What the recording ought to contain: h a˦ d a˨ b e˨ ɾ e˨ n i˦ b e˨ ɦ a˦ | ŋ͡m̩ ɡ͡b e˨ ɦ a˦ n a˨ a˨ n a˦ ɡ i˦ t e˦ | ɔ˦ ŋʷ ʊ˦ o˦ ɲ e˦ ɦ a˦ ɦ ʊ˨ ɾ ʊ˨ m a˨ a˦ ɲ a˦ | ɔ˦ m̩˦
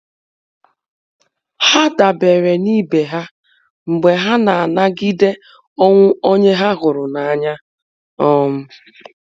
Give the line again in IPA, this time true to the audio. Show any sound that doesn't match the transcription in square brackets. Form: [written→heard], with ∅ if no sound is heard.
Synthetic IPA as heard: h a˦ d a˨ b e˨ ɾ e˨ n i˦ b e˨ ɦ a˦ | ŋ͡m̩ ɡ͡b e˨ ɦ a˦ n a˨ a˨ n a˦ ɡ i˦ [t→d] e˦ | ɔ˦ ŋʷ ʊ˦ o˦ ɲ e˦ ɦ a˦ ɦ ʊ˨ ɾ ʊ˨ [m→n] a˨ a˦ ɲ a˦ | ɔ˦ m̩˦